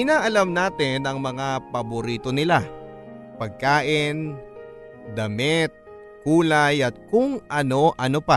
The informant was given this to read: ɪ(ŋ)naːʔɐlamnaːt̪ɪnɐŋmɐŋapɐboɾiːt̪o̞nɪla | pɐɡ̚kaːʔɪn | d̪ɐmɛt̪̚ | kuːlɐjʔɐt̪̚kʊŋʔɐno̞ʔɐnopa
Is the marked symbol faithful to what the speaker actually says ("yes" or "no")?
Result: no